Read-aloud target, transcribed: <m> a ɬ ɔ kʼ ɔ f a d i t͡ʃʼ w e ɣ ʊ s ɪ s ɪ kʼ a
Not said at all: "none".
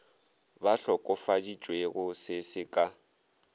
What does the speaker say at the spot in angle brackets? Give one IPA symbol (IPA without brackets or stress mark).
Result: b